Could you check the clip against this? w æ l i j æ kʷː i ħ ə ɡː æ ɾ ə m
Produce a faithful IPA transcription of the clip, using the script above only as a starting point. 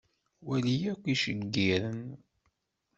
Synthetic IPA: w æ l i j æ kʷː i ʃ ə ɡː i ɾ ə n